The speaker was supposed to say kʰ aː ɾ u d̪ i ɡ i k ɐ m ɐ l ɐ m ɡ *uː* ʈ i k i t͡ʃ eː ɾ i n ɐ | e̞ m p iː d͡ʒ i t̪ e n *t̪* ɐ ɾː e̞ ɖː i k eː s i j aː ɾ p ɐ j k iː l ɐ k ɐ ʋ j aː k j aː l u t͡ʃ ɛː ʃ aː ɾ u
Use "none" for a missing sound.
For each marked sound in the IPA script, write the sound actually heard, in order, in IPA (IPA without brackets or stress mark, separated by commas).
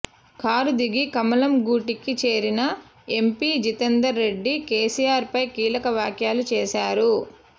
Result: uː, d̪